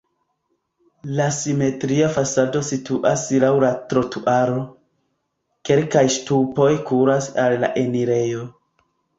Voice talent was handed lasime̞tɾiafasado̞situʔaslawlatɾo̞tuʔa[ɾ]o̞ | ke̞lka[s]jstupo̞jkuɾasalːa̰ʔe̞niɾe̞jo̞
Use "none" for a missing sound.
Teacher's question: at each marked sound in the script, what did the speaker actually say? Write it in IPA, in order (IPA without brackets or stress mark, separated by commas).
ɾ, none